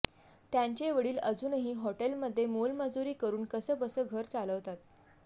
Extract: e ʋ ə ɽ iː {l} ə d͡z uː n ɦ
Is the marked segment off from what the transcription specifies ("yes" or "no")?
no